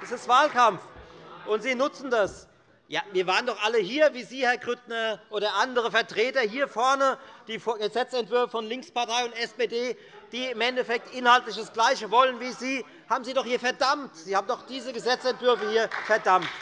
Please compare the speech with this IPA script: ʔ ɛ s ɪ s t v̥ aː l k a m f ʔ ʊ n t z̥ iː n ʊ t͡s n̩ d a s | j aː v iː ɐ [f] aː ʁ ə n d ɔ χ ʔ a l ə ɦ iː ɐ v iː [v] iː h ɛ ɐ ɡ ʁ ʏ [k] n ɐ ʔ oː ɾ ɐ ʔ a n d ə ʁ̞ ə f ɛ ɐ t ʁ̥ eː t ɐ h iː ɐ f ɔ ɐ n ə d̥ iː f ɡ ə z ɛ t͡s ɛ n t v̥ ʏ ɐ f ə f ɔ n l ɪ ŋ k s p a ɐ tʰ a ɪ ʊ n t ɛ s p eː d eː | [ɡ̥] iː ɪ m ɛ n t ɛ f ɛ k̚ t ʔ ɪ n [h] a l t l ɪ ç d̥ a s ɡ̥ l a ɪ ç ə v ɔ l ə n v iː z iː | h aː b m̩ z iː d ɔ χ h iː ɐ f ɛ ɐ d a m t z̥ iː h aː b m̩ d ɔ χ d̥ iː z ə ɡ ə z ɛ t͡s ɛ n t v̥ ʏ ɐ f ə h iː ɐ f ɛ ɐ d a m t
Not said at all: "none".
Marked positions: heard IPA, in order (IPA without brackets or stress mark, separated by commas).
v, z, t, d̥, h